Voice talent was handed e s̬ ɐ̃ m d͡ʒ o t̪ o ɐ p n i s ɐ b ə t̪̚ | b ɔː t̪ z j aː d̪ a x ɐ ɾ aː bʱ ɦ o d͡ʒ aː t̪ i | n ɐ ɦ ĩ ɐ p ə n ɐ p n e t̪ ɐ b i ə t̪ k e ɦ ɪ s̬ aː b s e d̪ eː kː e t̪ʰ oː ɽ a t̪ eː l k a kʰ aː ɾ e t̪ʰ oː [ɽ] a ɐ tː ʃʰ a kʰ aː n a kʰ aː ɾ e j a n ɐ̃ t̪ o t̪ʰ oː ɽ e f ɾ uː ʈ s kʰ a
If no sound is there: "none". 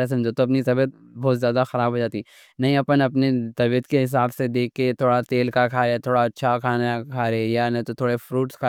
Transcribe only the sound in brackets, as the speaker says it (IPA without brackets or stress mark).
ɽ